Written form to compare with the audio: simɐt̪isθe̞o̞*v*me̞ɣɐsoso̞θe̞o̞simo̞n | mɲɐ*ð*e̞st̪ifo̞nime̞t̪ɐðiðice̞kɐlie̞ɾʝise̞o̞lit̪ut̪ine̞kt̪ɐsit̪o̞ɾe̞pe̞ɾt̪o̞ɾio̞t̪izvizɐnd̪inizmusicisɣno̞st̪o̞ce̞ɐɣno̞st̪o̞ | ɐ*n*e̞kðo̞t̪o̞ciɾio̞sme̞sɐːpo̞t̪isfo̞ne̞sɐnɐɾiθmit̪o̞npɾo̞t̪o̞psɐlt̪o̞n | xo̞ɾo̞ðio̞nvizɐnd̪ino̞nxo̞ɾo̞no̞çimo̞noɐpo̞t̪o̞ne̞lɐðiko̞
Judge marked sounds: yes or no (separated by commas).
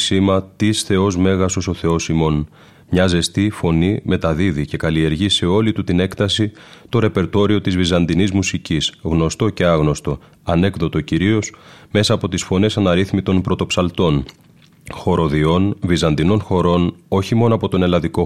no, no, yes